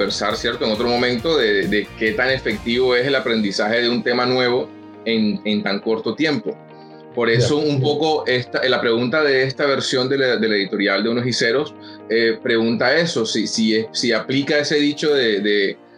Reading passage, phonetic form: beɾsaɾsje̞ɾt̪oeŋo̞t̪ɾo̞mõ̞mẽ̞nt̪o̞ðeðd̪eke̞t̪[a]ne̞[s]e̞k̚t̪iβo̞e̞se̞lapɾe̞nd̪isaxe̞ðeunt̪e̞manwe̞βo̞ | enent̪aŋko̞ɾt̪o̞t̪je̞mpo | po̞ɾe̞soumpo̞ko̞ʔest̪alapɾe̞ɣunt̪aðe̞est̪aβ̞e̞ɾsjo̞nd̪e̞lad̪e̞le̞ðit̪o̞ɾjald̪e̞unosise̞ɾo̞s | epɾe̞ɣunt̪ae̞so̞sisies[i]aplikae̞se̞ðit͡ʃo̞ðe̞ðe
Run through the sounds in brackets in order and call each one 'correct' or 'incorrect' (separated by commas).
correct, incorrect, correct